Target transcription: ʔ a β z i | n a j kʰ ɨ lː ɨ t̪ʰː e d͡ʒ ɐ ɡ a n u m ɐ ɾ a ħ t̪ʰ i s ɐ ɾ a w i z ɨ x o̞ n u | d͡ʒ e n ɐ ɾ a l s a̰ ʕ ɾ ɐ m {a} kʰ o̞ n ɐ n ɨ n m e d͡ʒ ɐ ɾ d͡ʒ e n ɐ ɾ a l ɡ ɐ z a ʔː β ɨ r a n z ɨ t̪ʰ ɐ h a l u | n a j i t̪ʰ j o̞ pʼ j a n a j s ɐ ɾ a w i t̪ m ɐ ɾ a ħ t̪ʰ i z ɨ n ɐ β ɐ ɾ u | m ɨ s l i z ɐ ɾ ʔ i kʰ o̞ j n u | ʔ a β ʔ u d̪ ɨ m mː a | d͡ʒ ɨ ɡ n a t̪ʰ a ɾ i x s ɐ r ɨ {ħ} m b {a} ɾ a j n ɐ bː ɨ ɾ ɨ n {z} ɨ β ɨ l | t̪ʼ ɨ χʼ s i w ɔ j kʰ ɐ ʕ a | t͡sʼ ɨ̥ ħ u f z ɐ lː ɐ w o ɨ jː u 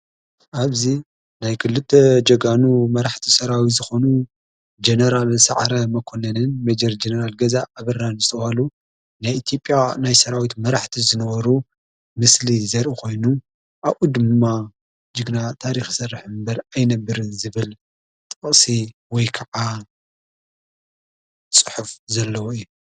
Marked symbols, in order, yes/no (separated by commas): no, yes, no, yes